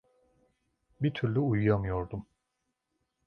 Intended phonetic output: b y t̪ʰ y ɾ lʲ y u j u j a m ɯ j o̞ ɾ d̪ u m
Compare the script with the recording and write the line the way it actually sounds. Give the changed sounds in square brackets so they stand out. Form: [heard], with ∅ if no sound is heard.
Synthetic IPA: b [i] t̪ʰ y ɾ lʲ y u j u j a m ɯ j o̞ ɾ d̪ u m

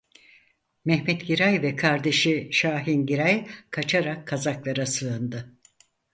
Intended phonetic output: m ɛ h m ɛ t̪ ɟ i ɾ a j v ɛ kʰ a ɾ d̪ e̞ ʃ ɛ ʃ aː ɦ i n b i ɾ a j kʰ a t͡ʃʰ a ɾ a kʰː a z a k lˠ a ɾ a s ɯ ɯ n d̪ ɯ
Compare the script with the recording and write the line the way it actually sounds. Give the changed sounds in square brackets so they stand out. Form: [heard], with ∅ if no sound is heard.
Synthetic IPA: m ɛ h m ɛ t̪ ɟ i ɾ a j v ɛ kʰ a ɾ d̪ e̞ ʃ [i] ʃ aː ɦ i n [ɟ] i ɾ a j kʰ a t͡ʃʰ a ɾ a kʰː a z a k lˠ a ɾ a s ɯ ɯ n d̪ ɯ

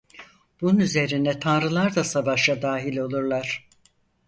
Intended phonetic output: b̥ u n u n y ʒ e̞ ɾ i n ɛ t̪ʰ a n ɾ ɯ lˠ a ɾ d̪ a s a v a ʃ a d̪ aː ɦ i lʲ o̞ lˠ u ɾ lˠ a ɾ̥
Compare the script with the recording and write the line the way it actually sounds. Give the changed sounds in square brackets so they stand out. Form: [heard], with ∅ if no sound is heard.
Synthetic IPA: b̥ u n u n y [z] e̞ ɾ i n ɛ t̪ʰ a n ɾ ɯ lˠ a ɾ d̪ a s a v a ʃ a d̪ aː ɦ i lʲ o̞ lˠ u ɾ lˠ a ɾ̥

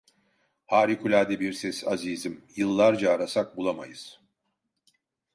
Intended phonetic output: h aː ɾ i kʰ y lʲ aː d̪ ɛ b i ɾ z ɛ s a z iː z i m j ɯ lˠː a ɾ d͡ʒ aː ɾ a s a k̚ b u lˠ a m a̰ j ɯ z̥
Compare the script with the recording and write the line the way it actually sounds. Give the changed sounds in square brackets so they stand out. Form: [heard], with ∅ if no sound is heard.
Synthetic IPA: h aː ɾ i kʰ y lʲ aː d̪ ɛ b i ɾ [s] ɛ s a z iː z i m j ɯ lˠː a ɾ d͡ʒ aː ɾ a s a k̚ b u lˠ a m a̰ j ɯ z̥

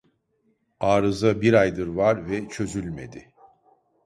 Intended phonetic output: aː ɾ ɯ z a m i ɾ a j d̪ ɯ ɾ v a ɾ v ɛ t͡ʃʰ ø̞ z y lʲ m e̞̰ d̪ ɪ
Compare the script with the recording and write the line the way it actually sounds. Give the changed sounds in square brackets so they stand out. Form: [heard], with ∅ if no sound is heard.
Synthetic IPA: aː ɾ ɯ z a [b] i ɾ a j d̪ ɯ ɾ v a ɾ v ɛ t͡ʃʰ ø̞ z y lʲ m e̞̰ d̪ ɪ

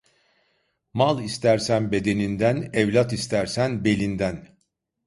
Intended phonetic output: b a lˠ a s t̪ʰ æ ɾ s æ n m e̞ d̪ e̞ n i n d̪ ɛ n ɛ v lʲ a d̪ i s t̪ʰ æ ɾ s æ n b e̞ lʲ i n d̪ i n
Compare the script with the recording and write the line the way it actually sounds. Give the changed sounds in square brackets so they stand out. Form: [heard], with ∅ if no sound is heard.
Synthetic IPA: [m] a lˠ [i] s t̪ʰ æ ɾ s æ n [b] e̞ d̪ e̞ n i n d̪ [æ] n ɛ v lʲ a [t̪] i s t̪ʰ æ ɾ s æ n b e̞ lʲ i n d̪ [æ] n

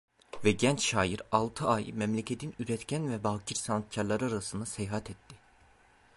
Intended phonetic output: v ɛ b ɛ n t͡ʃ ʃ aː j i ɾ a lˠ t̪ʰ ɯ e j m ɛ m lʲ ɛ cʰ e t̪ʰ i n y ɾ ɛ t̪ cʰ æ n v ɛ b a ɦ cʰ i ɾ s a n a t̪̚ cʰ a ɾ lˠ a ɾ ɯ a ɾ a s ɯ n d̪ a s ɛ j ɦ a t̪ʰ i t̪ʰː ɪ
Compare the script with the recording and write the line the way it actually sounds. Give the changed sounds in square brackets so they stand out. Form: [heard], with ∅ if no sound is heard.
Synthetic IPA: v ɛ [ɟ] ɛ n t͡ʃ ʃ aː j i ɾ a lˠ t̪ʰ ɯ [a] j m ɛ m lʲ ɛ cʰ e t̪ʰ i n y ɾ ɛ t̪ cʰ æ n v ɛ b a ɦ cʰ i ɾ s a n a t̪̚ cʰ a ɾ lˠ a ɾ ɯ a ɾ a s ɯ n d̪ a s ɛ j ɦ a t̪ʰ [ɛ] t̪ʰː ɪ

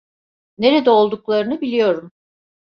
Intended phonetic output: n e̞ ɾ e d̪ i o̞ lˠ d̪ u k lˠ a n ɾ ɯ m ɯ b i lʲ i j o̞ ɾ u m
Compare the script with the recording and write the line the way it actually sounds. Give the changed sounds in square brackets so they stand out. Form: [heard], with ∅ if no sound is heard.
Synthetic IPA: n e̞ ɾ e d̪ [ɛ] o̞ lˠ d̪ u k lˠ a [∅] ɾ ɯ [n] ɯ b i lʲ i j o̞ ɾ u m

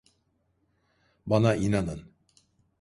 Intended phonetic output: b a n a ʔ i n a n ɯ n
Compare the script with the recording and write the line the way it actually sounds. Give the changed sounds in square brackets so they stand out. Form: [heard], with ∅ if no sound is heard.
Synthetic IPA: b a n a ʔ i n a n ɯ n

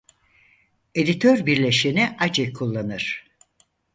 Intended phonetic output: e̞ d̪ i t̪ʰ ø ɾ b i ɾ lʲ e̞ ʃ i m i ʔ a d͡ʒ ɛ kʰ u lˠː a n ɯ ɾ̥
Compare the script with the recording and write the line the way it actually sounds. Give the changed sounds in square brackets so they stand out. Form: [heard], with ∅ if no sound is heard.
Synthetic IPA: e̞ d̪ i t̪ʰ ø ɾ b i ɾ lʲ e̞ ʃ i [n] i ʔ a d͡ʒ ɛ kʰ u lˠː a n ɯ ɾ̥

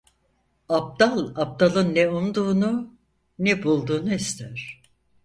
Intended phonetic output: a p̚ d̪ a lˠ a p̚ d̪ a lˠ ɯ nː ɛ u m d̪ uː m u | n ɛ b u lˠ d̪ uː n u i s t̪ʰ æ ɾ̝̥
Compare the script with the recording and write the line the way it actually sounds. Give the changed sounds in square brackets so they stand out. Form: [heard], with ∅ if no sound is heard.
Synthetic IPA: a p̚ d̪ a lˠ a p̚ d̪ a lˠ ɯ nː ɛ u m d̪ uː [n] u | n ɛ b u lˠ d̪ uː n u i s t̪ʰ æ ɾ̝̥

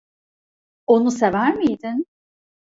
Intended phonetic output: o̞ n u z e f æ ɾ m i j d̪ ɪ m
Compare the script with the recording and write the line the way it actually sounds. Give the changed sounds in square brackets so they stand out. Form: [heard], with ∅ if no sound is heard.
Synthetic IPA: o̞ n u [s] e [v] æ ɾ m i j d̪ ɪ [n]

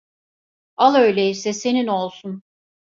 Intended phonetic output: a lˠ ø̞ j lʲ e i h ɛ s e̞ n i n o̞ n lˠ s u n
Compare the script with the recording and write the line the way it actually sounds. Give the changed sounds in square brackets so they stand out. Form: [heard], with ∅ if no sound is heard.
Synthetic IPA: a lˠ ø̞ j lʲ e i [s] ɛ s e̞ n i n o̞ [∅] lˠ s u n

